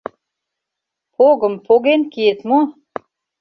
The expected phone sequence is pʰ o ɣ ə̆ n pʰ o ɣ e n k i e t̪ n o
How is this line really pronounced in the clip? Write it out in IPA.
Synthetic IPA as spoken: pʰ o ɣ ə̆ m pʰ o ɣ e n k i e t̪ m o